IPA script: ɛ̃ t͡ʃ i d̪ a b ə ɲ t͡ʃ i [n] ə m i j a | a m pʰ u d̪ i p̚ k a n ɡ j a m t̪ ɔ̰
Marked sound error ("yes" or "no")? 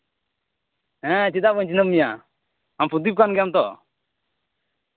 no